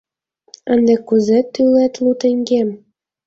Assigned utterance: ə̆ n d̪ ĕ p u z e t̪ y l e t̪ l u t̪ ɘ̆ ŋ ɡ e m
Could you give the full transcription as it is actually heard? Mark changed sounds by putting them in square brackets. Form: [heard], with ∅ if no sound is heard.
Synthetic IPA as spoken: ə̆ n d̪ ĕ [k] u z e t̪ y l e t̪ l u t̪ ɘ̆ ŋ ɡ e m